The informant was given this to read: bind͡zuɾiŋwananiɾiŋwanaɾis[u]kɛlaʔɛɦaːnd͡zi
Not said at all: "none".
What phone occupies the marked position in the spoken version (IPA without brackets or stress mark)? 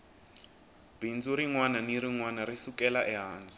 u